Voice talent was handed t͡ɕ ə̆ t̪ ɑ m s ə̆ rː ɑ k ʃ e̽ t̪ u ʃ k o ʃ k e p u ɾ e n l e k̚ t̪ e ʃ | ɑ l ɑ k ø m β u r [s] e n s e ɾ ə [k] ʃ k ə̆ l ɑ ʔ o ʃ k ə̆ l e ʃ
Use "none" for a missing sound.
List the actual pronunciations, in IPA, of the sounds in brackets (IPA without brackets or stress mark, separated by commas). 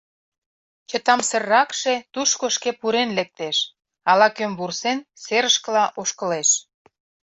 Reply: s, none